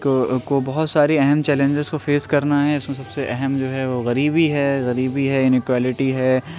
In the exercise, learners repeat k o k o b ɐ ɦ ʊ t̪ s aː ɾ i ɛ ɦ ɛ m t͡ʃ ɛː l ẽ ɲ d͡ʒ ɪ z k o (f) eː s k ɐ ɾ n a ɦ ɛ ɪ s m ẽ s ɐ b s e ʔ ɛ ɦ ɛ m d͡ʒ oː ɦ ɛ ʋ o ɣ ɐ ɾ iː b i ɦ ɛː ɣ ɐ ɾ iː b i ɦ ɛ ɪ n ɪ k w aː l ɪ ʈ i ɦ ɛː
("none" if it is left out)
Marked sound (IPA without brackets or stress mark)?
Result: f